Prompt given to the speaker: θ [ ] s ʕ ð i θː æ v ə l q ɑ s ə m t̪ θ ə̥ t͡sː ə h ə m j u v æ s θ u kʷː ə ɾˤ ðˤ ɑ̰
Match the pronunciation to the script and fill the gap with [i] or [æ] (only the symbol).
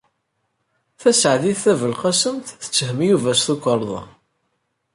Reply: æ